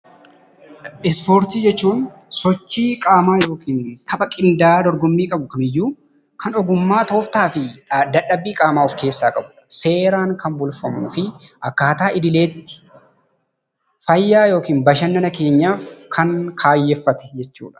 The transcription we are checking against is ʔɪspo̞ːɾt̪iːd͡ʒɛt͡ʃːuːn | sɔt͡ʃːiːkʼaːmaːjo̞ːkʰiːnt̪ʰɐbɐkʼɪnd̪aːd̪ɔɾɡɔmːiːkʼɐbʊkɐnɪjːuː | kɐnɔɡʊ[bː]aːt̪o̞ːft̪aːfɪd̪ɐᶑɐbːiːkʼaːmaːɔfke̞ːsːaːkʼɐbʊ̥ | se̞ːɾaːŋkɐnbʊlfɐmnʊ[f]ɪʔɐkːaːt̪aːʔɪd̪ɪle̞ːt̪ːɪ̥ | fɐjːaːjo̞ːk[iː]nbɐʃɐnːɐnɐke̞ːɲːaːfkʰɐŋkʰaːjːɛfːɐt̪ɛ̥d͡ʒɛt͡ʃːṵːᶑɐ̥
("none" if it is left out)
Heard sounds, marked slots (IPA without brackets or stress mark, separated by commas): mː, f, iː